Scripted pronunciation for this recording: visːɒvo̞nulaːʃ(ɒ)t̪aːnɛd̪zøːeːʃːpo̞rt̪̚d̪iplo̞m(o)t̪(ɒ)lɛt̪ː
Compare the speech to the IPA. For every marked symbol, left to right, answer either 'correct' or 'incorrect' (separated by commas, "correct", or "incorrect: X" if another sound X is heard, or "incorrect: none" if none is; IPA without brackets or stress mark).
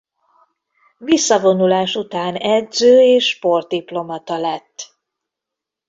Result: incorrect: u, incorrect: ɒ, correct